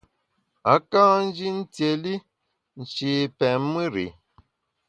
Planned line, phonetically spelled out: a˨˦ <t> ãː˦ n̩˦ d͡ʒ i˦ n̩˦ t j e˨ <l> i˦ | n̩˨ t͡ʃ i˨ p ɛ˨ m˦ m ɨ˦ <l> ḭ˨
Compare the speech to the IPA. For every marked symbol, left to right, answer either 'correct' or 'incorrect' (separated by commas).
incorrect, correct, incorrect